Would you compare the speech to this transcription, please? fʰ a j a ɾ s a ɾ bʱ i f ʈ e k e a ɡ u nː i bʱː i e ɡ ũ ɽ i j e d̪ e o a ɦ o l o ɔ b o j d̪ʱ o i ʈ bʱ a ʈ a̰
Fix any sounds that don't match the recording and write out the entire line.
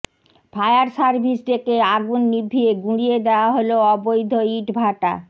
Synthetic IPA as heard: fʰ a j a ɾ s a ɾ bʱ i s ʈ e k e a ɡ u nː i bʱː i e ɡ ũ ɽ i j e d̪ e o a ɦ o l o ɔ b o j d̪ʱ o i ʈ bʱ a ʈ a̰